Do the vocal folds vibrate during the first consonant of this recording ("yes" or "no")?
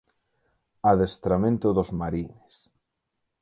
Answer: yes